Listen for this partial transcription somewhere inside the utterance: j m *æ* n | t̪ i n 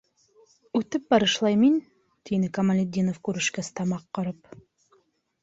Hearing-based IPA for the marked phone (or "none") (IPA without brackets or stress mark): i